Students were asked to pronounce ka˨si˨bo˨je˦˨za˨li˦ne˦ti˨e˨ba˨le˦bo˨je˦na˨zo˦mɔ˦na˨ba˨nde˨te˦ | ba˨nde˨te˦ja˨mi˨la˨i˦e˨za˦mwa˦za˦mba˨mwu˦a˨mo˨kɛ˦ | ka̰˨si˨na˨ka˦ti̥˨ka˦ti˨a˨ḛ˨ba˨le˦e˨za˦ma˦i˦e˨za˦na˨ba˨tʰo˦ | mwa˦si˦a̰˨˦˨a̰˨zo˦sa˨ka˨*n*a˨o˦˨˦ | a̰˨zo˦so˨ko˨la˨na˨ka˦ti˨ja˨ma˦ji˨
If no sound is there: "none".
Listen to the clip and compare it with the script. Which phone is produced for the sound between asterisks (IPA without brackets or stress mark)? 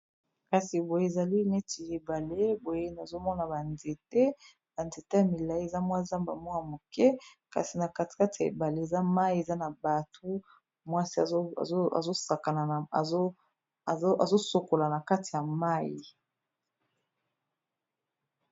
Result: n